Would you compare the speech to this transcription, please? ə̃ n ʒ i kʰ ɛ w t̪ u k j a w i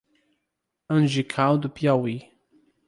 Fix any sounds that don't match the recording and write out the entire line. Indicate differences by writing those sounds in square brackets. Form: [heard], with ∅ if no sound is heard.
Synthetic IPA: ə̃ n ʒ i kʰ [a] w [d̪] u [p] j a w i

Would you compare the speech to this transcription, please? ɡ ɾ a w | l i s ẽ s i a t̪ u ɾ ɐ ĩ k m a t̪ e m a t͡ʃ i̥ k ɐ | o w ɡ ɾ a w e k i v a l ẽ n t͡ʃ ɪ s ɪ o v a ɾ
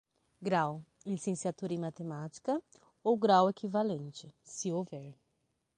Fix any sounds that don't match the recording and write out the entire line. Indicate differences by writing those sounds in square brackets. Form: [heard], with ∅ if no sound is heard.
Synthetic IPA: ɡ ɾ a w | l i s ẽ s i a t̪ u ɾ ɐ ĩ [∅] m a t̪ e m a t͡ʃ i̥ k ɐ | o w ɡ ɾ a w e k i v a l ẽ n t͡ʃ ɪ s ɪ o v [ɛ] ɾ

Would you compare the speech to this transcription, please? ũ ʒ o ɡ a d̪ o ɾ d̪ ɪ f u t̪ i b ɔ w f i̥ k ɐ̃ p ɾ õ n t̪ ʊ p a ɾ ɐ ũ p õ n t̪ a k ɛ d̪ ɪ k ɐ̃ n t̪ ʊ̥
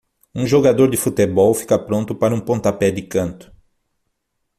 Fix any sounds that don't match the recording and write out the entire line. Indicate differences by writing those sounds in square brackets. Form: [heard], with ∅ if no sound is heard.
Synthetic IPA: ũ ʒ o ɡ a d̪ o ɾ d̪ ɪ f u t̪ [e] b ɔ w f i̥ k [ɐ] p ɾ õ n t̪ ʊ p a ɾ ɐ ũ p õ n t̪ a [p] ɛ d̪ ɪ k ɐ̃ n t̪ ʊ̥

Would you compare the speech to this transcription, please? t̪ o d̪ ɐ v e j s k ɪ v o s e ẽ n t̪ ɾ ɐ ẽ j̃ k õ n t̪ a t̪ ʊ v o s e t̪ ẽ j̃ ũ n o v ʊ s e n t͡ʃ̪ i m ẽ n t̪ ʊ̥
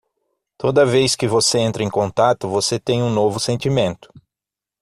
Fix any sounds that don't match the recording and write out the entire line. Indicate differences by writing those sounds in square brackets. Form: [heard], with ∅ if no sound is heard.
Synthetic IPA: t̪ o d̪ ɐ v e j s k ɪ v o s e ẽ n t̪ ɾ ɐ ẽ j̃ k õ n t̪ a t̪ ʊ v o s e t̪ ẽ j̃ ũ n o v ʊ s [ẽ] n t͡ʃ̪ i m ẽ n t̪ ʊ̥

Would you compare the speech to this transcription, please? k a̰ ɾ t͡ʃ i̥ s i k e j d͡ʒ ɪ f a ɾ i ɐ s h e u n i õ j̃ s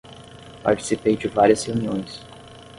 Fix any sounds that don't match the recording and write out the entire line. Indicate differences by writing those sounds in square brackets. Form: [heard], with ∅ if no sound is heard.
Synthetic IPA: [p] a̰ ɾ t͡ʃ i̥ s i [p] e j d͡ʒ ɪ [v] a ɾ i ɐ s h e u n i õ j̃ s

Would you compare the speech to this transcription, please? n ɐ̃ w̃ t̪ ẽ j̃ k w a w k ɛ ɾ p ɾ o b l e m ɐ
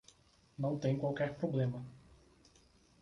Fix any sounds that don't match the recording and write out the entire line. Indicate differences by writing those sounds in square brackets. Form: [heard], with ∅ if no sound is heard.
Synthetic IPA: n ɐ̃ w̃ t̪ ẽ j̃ k w a w k ɛ ɾ p ɾ o b l [ẽ] m ɐ

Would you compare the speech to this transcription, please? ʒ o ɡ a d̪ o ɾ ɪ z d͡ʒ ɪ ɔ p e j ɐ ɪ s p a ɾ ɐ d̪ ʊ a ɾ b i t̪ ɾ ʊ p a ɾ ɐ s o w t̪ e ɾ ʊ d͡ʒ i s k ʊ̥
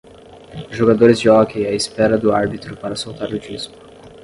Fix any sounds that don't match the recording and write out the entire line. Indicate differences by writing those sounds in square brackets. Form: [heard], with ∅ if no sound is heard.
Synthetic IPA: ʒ o ɡ a d̪ o ɾ ɪ z d͡ʒ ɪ ɔ [k] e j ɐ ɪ s p [ɛ] ɾ ɐ d̪ ʊ a ɾ b i t̪ ɾ ʊ p a ɾ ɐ s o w t̪ [a] ɾ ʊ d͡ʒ i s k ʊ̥

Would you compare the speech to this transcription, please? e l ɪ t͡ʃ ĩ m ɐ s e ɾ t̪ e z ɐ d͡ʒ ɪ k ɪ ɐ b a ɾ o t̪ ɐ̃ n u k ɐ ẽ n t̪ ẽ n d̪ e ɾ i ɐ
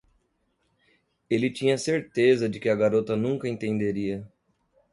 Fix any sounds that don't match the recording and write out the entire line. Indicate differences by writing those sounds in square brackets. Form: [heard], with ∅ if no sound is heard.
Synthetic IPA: e l ɪ t͡ʃ ĩ [ɲ] ɐ s e ɾ t̪ e z ɐ d͡ʒ ɪ k ɪ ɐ [ɡ] a ɾ o t̪ [ɐ] n [ũ] k ɐ ẽ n t̪ ẽ n d̪ e ɾ i ɐ

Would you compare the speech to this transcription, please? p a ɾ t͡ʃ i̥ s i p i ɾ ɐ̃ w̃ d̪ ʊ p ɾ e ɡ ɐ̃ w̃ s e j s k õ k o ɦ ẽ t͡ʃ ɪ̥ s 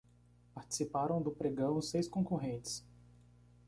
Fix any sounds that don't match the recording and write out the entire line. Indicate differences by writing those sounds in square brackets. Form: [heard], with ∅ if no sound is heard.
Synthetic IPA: p a ɾ t͡ʃ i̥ s i p [a] ɾ ɐ̃ w̃ d̪ ʊ p ɾ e ɡ ɐ̃ w̃ s e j s k õ k o ɦ ẽ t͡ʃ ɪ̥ s

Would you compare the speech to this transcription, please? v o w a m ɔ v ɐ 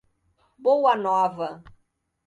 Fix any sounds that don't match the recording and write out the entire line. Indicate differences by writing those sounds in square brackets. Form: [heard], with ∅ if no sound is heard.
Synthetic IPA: [b] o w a [n] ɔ v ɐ

